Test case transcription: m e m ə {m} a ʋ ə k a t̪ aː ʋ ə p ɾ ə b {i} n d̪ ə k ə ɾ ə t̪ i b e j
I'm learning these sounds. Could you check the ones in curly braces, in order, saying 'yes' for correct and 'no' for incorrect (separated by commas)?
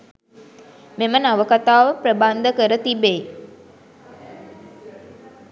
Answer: no, no